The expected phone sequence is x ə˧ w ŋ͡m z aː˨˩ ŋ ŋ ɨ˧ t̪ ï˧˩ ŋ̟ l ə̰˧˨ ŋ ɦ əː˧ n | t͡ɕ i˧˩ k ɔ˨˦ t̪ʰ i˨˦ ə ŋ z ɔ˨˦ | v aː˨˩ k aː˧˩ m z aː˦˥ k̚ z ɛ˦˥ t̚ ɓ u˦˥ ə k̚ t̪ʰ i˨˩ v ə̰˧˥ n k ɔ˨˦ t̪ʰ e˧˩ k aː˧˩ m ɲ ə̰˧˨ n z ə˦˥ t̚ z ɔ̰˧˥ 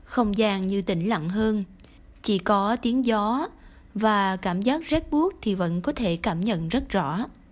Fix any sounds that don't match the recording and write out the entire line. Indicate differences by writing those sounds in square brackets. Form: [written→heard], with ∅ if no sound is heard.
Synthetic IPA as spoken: x ə˧ w ŋ͡m z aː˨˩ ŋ [ŋ→ɲ] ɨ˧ t̪ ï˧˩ ŋ̟ l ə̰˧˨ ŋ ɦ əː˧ n | t͡ɕ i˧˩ k ɔ˨˦ [t̪ʰ→t̪] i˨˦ ə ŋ z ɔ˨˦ | v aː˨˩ k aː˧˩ m z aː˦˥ k̚ z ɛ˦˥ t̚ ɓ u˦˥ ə k̚ t̪ʰ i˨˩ v ə̰˧˥ n k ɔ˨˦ t̪ʰ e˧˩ k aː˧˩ m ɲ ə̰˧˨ n z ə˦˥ t̚ z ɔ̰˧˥